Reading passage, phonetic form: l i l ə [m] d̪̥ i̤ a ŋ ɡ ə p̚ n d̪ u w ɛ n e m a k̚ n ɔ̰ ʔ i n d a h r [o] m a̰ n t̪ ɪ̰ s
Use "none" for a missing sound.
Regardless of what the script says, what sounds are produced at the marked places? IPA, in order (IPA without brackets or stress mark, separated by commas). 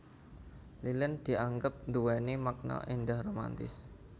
n, o